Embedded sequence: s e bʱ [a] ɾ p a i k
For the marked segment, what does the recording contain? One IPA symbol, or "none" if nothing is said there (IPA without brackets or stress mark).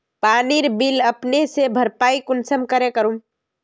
ə